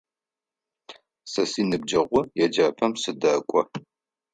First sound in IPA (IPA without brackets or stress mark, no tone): s